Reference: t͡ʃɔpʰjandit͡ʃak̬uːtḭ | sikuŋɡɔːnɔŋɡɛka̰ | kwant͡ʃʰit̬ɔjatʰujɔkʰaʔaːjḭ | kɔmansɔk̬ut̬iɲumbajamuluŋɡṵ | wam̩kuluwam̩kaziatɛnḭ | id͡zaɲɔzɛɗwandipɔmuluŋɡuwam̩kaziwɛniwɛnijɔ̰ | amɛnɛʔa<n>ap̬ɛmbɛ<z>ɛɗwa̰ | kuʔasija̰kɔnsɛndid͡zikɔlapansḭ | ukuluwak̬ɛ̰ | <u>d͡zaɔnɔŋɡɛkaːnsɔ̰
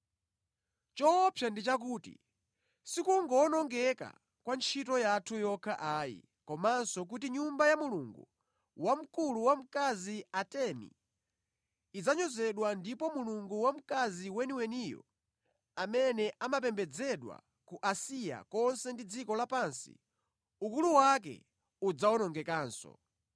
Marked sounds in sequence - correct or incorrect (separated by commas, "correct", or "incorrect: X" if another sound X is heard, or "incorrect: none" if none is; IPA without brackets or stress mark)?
incorrect: m, incorrect: d͡z, correct